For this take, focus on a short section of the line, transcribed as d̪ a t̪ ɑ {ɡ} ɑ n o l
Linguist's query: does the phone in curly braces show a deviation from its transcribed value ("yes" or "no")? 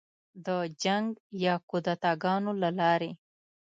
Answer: no